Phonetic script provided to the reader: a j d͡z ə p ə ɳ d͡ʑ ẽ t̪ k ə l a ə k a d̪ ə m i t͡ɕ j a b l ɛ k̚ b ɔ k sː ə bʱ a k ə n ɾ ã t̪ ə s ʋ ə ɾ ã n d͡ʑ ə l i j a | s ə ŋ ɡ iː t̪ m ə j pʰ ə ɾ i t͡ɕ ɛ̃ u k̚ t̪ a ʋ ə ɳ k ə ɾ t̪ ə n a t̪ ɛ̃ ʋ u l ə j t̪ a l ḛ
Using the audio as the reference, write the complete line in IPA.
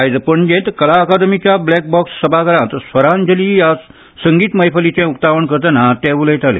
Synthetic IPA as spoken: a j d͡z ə p ə ɳ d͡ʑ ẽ t̪ k ə l a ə k a d̪ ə m i t͡ɕ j a b l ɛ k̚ b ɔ k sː ə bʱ a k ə ɾ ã t̪ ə s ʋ ə ɾ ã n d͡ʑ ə l i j a | s ə ŋ ɡ iː t̪ m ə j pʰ ə l i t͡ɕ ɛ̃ u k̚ t̪ a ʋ ə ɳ k ə ɾ t̪ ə n a t̪ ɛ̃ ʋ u l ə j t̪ a l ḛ